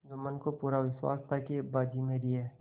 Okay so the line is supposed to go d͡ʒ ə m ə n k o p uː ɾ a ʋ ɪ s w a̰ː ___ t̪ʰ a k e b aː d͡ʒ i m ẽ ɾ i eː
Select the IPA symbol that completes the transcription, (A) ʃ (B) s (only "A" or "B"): B